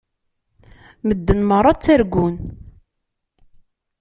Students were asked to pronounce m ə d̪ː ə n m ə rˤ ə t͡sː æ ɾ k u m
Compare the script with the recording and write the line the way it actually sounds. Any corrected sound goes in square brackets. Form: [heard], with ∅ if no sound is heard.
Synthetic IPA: m ə d̪ː ə n m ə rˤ [ɑ] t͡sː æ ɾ [ɡ] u [n]